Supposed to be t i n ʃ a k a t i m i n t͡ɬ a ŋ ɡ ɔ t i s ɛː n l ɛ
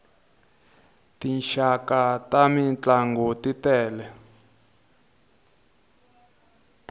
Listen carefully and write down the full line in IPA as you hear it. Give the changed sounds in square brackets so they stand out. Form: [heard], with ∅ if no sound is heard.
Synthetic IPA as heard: t i n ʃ a k a t [a] m i n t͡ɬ a ŋ ɡ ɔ t i [t] ɛː [∅] l ɛ